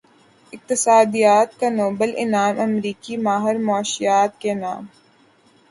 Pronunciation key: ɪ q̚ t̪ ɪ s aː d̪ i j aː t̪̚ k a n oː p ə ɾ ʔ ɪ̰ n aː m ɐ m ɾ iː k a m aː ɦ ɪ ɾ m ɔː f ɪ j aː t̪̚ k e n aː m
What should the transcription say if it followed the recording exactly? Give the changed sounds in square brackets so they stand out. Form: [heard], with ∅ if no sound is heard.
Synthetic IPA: ɪ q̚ t̪ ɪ s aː d̪ i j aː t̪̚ k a n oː [b] ə [l] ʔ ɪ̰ n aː m ɐ m ɾ iː k [i] m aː ɦ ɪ ɾ m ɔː [ʃ] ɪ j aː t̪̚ k e n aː m